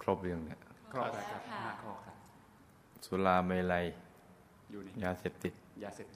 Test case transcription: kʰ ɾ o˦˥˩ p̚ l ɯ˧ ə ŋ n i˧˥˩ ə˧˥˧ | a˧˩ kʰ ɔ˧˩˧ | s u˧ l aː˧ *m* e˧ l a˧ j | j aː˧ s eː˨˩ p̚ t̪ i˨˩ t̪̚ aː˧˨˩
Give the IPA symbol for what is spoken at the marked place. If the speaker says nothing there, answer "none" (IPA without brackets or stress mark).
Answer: m